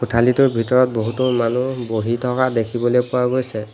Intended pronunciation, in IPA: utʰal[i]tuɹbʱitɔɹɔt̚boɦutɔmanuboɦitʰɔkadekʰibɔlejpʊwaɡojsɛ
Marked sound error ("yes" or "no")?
no